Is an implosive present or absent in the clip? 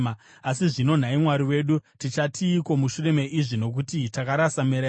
present